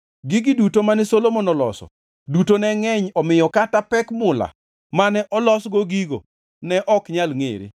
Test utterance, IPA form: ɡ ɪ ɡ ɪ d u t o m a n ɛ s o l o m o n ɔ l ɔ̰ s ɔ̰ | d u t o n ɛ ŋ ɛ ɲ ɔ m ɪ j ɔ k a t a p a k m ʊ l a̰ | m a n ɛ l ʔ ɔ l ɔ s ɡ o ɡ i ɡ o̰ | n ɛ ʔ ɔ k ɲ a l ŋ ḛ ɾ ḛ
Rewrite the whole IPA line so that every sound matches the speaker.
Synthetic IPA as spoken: ɡ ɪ ɡ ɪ d u t o m a n ɛ s o l o m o n ɔ l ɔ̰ s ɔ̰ | d u t o n ɛ ŋ ɛ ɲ ɔ m ɪ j ɔ k a t a p ɛ k m ʊ l a̰ | m a n ɛ ʔ ɔ l ɔ s ɡ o ɡ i ɡ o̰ | n ɛ ʔ ɔ k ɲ a l ŋ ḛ ɾ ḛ